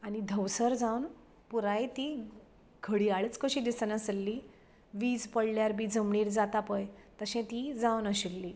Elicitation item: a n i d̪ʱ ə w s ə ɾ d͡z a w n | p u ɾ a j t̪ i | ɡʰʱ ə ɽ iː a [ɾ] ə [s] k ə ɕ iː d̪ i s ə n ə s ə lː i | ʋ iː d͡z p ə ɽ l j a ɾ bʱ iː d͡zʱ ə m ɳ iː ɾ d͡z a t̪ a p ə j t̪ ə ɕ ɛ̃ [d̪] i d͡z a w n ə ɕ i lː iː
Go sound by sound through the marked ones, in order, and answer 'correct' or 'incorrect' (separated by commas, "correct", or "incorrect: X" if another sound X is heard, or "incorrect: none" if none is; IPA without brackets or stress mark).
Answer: incorrect: ɭ, incorrect: t͡s, incorrect: t̪